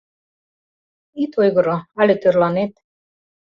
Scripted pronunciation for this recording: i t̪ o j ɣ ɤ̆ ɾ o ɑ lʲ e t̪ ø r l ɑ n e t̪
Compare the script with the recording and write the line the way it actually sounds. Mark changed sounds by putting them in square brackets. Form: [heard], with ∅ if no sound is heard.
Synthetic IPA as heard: i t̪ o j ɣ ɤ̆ ɾ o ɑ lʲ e t̪ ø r l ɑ n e t̪